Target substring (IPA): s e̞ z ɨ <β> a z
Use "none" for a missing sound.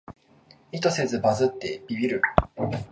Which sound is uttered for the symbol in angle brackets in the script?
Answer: b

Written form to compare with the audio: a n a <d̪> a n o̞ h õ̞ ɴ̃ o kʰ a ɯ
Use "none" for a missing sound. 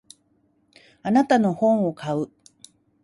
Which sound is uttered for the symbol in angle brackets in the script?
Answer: t̪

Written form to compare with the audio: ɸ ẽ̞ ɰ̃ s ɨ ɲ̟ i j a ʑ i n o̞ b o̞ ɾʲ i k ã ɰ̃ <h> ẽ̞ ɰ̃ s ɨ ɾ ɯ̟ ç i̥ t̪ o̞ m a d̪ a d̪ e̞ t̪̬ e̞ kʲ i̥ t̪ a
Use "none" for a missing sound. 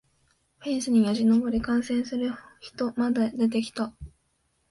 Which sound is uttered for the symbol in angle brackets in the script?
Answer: s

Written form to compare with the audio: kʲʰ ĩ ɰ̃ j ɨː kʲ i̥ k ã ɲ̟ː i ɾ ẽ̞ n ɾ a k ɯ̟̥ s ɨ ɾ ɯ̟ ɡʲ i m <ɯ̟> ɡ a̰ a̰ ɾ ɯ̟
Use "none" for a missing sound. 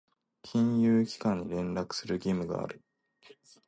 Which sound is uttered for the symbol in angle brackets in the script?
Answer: ɯ̟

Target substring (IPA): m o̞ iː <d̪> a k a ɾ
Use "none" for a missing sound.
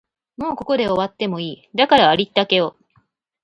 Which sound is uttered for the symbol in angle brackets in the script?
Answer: d̪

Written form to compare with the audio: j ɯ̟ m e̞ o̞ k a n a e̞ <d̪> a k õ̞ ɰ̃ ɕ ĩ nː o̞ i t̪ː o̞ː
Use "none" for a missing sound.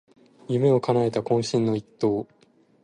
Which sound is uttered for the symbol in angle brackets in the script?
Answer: t̪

